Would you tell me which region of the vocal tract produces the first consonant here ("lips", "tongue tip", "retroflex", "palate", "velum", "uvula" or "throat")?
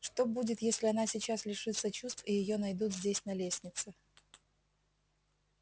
retroflex